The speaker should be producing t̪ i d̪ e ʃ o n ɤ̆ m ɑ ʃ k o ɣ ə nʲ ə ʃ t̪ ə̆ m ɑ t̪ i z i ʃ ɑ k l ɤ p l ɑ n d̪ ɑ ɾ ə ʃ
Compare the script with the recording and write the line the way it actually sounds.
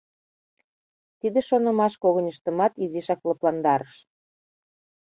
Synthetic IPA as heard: t̪ i d̪ e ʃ o n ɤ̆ m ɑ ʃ k o ɣ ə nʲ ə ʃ t̪ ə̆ m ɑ t̪ i z i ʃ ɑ k l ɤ p l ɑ n d̪ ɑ ɾ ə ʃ